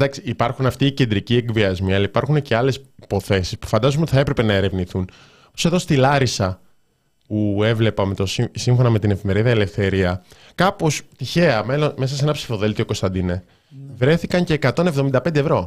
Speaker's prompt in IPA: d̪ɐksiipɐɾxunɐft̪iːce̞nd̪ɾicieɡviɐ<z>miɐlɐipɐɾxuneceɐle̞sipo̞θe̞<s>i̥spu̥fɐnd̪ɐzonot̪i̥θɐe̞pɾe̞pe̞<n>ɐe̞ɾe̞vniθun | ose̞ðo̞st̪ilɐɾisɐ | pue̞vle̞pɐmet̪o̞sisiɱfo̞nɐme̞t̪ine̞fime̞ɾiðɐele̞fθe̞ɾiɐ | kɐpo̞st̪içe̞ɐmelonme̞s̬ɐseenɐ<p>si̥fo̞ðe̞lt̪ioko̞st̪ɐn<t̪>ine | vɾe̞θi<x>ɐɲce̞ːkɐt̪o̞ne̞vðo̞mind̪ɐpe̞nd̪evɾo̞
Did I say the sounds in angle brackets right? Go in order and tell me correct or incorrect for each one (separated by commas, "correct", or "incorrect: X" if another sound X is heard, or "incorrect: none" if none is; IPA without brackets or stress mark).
correct, correct, correct, correct, incorrect: d̪, incorrect: k